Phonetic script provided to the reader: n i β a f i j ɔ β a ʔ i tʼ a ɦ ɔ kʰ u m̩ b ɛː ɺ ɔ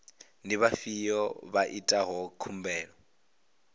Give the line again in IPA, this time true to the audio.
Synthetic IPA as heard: n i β a f i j ɔ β a ʔ i tʼ a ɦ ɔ kʰ u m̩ b ɛː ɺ ɔ